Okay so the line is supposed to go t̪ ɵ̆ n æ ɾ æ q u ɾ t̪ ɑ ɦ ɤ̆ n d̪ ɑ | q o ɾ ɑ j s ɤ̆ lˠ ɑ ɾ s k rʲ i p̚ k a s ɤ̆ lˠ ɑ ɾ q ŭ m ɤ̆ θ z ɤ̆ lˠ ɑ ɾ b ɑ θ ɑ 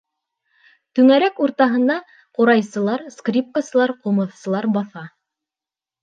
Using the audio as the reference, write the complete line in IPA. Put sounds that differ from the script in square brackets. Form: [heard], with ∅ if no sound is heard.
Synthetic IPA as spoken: t̪ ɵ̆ [ŋ] æ ɾ æ [k] u ɾ t̪ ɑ ɦ ɤ̆ n d̪ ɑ | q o ɾ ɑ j s ɤ̆ lˠ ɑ ɾ s k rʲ i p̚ k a s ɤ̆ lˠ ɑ ɾ q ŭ m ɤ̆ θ [s] ɤ̆ lˠ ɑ ɾ b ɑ θ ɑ